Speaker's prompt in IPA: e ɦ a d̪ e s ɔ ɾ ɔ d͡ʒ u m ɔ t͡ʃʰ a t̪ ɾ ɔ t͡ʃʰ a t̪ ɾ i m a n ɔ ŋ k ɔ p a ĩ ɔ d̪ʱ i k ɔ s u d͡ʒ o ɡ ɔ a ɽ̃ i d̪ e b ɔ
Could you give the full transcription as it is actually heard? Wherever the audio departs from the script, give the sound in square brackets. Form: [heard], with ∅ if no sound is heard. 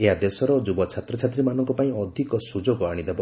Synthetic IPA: e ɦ a d̪ e s ɔ ɾ ɔ d͡ʒ u [b] ɔ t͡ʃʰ a t̪ ɾ ɔ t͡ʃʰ a t̪ ɾ i m a n ɔ ŋ k ɔ p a ĩ ɔ d̪ʱ i k ɔ s u d͡ʒ o ɡ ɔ a ɽ̃ i d̪ e b ɔ